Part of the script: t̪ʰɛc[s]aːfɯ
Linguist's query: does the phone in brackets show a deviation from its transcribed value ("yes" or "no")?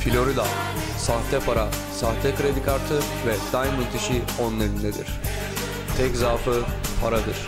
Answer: yes